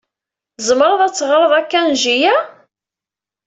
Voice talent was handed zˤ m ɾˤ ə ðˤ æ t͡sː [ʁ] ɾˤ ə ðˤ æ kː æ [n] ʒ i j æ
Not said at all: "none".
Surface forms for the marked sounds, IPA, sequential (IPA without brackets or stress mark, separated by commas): ʁ, n